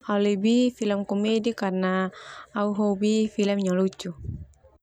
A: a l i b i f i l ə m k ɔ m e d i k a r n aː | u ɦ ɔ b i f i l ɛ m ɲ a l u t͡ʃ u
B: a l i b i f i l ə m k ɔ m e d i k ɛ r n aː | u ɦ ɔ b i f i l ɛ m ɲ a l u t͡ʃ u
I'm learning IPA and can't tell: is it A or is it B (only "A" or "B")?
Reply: A